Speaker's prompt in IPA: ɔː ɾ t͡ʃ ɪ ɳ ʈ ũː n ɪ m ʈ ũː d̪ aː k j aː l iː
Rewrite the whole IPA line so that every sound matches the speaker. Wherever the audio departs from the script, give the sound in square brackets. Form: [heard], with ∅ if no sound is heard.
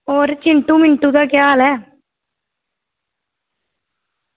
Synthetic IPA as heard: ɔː ɾ t͡ʃ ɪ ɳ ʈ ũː [m] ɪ [ɳ] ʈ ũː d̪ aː k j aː l [ɛː]

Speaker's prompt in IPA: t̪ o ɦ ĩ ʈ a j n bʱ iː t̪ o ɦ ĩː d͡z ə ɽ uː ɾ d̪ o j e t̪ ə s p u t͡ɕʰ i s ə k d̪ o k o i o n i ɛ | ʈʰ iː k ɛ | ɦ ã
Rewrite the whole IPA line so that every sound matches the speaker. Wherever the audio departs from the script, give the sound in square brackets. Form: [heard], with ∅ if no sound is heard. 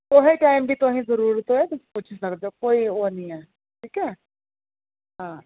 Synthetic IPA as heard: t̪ o ɦ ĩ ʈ a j [m] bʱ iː t̪ o ɦ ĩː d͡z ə [ɾ] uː ɾ [t̪] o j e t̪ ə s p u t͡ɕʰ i s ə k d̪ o k o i o n i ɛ | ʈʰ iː k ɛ | ɦ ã

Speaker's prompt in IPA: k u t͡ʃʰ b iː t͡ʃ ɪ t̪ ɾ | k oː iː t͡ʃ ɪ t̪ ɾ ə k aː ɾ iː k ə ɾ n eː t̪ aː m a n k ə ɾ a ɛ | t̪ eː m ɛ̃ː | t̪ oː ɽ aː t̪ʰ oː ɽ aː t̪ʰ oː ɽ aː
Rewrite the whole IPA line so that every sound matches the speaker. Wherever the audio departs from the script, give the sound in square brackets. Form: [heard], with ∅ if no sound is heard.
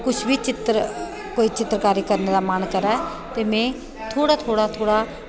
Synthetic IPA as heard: k [ʊ] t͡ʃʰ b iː t͡ʃ ɪ t̪ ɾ | k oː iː t͡ʃ ɪ t̪ ɾ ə k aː ɾ iː k ə ɾ n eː [d̪] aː m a n k ə ɾ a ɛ | t̪ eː m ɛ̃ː | [t̪ʰ] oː ɽ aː t̪ʰ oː ɽ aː t̪ʰ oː ɽ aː

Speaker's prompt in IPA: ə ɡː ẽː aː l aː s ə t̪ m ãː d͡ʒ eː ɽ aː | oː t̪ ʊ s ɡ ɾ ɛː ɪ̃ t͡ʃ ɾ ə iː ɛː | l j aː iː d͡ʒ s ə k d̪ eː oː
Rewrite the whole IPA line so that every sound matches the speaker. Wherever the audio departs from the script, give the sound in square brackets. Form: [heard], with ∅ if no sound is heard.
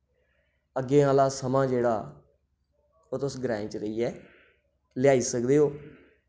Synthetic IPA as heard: ə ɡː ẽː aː l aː s ə [∅] m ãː d͡ʒ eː ɽ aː | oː t̪ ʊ s ɡ ɾ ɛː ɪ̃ t͡ʃ ɾ ə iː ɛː | l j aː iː [∅] s ə k d̪ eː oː

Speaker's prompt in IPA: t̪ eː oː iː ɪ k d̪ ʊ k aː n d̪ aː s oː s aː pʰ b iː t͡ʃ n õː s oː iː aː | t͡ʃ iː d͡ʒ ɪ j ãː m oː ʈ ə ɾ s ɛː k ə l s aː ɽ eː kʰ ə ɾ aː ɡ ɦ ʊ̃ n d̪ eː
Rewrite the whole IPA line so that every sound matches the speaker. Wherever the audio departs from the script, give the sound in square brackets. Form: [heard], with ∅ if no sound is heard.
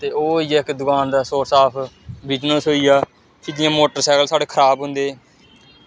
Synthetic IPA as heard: t̪ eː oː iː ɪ k d̪ ʊ k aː n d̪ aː s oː s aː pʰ b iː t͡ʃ n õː s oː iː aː | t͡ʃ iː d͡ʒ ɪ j ãː m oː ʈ ə ɾ s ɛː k ə l s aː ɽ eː kʰ ə ɾ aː [b] ɦ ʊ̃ n d̪ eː

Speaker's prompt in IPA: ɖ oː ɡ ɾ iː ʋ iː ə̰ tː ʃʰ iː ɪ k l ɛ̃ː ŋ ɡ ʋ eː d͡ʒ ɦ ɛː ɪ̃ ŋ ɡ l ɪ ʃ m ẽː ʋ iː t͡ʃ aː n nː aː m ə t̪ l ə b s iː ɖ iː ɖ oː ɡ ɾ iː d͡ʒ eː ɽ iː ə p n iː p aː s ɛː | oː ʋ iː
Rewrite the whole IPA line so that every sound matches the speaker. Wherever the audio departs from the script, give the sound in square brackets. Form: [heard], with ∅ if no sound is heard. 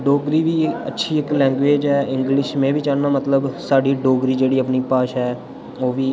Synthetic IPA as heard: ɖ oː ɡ ɾ iː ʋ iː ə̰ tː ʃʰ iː ɪ k l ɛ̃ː ŋ ɡ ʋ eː d͡ʒ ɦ ɛː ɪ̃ ŋ ɡ l ɪ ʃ m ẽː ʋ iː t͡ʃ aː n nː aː m ə t̪ l ə b s [aː] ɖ iː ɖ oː ɡ ɾ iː d͡ʒ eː ɽ iː ə p n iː p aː [ʃ] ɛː | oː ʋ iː

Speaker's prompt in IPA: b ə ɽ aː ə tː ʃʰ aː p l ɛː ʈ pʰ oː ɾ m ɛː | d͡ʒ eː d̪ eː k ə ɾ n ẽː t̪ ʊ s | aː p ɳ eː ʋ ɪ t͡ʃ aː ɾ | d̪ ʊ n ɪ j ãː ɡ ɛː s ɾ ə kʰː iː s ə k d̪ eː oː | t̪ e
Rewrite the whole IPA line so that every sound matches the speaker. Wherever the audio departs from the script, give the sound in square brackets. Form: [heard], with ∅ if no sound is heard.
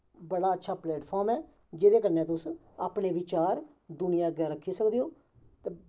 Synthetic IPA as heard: b ə ɽ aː ə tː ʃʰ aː p l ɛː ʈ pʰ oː ɾ m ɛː | d͡ʒ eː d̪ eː k ə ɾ n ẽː t̪ ʊ s | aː p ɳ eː ʋ ɪ t͡ʃ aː ɾ | d̪ ʊ n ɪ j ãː ɡ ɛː [∅] ɾ ə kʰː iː s ə k d̪ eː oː | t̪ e

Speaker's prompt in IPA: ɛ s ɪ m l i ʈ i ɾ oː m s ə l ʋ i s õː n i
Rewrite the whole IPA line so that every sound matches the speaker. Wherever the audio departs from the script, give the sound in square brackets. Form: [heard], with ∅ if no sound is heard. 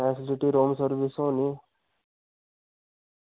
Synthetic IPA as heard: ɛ s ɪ [∅] l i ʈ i ɾ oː m s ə [ɾ] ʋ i s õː n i

